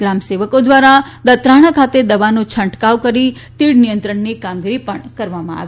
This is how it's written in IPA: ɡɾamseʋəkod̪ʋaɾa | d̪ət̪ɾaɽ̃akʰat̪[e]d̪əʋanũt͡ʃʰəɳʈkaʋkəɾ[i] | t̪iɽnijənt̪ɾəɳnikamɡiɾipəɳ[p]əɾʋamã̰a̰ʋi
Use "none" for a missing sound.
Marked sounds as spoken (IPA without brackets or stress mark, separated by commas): e, i, k